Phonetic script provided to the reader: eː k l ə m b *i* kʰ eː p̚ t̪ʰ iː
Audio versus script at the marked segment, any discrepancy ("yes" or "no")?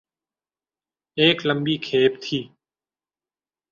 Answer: yes